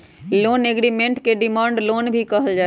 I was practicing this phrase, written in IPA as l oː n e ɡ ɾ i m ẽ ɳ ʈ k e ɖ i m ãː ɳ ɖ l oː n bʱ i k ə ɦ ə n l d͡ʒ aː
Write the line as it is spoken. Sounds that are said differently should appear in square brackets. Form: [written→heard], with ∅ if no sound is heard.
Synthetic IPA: l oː n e ɡ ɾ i m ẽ ɳ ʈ k e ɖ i m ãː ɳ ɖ l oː n bʱ i k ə ɦ ə [n→∅] l d͡ʒ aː